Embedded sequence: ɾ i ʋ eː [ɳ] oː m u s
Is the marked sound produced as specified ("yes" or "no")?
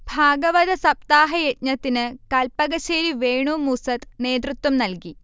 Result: yes